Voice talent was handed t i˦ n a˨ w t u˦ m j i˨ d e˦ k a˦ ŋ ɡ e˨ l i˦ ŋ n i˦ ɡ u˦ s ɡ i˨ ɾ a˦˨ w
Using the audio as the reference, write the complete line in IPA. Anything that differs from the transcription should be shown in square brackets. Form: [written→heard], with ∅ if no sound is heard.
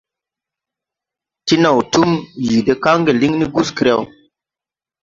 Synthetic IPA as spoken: t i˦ n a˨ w t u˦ m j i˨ d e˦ k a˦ ŋ ɡ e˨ l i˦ ŋ n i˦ ɡ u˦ s [ɡ→k] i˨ ɾ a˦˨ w